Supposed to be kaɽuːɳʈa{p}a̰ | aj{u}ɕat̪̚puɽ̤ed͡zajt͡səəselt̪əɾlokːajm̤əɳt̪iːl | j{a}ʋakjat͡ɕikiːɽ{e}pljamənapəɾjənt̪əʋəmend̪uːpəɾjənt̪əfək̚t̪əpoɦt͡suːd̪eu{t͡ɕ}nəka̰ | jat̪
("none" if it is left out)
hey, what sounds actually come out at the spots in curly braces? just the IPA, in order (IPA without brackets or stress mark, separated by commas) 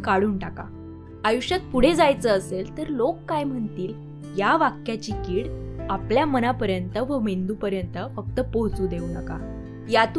k, u, a, a, none